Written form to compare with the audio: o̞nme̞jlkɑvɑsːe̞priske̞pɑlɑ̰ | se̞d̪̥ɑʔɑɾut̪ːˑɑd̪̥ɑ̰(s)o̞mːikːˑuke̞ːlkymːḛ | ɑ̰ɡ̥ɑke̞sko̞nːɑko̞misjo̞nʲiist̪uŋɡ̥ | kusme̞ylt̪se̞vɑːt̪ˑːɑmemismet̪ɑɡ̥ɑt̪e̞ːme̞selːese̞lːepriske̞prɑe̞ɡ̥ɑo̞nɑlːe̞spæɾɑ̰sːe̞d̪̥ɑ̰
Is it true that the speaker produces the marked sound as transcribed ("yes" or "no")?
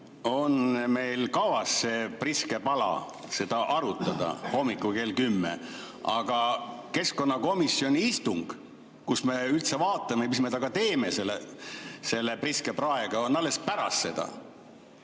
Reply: no